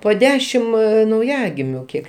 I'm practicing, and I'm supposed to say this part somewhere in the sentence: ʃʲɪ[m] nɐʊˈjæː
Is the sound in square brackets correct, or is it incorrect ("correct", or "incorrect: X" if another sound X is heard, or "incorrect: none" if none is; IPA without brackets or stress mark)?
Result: correct